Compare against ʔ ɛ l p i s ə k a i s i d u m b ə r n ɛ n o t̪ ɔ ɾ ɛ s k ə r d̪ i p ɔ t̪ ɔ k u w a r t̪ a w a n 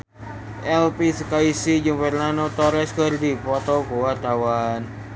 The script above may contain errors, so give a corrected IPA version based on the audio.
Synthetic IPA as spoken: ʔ ɛ l p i s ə k a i s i d͡ʒ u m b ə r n a n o t̪ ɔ ɾ ɛ s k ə r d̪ i p ɔ t̪ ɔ k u w a r t̪ a w a n